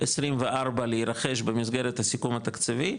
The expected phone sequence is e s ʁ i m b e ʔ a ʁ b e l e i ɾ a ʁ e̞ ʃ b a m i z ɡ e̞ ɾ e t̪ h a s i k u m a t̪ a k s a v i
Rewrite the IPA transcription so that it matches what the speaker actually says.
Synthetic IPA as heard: e s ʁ i m v e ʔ a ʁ b a l e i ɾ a χ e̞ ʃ b e m i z ɡ e̞ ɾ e t̪ h a s i k u m a t̪ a k t͡s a v i